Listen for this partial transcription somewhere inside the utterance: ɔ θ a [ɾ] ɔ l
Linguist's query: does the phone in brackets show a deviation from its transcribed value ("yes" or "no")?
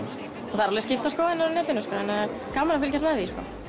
no